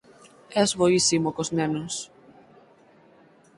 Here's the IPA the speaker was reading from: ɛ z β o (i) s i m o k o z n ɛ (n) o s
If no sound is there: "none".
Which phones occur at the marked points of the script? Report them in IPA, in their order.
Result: i, n

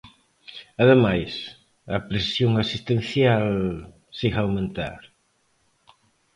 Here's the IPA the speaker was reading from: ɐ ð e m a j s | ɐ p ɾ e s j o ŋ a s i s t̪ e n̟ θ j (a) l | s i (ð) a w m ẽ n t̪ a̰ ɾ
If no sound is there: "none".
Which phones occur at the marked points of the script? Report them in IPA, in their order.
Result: a, ɣ

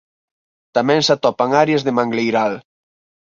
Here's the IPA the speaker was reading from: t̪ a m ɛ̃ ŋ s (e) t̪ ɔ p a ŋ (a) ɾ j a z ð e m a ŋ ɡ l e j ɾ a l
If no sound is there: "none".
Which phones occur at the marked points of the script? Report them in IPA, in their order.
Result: a, a

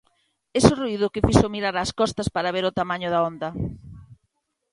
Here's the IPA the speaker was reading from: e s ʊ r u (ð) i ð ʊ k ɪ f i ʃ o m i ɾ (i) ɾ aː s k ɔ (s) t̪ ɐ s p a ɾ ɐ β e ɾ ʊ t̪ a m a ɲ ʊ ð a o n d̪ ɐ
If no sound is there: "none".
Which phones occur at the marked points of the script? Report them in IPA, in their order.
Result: none, a, s

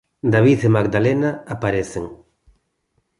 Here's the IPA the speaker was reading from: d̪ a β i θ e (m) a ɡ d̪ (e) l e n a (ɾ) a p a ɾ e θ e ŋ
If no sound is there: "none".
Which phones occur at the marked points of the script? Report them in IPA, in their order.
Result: m, a, none

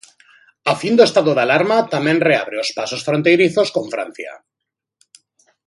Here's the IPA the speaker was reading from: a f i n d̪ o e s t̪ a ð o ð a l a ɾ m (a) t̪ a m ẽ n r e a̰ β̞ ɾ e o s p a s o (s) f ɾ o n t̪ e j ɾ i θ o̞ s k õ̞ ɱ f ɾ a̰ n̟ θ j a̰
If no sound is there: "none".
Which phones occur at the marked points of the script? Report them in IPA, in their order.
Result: a, s

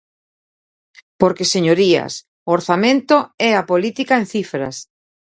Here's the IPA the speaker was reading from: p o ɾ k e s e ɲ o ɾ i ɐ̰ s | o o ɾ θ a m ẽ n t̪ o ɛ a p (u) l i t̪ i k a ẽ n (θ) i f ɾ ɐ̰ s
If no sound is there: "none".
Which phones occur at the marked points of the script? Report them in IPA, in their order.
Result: o, θ

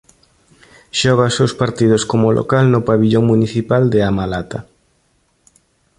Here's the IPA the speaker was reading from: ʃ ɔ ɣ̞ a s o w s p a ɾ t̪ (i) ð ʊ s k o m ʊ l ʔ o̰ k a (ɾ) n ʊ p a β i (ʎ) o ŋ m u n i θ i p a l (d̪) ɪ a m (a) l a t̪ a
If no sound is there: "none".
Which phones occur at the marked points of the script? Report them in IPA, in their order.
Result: i, l, ʎ, d̪, a

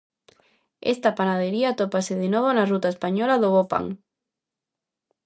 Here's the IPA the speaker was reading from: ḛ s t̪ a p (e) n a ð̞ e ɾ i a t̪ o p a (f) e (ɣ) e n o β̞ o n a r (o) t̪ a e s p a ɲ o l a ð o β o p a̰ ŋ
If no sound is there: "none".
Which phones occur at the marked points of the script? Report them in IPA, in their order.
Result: a, s, ð, u

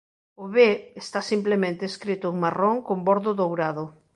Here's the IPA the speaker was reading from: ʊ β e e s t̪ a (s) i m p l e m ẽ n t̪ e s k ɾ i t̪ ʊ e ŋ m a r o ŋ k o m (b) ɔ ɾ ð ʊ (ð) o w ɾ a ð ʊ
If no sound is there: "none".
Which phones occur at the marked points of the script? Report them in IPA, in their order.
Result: s, b, ð

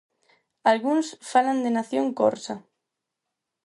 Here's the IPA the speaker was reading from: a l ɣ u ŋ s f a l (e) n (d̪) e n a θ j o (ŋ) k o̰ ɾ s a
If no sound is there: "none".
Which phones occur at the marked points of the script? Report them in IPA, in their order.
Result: a, d̪, ŋ

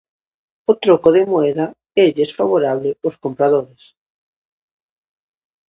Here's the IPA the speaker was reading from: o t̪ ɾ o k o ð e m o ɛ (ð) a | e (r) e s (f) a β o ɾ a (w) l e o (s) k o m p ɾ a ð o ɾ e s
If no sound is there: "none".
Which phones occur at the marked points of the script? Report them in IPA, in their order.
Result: ð, ʎ, f, β, s

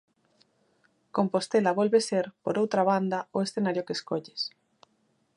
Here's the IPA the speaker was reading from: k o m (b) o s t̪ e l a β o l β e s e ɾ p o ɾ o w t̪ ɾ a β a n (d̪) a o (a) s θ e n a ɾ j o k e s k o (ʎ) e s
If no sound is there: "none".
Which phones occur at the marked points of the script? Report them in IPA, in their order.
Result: p, d̪, e, ʎ

